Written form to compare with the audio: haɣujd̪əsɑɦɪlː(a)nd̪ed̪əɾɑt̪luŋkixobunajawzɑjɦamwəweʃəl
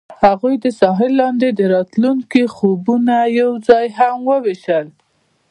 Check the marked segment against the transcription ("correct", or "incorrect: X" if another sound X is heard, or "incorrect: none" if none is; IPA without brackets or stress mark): incorrect: ɑ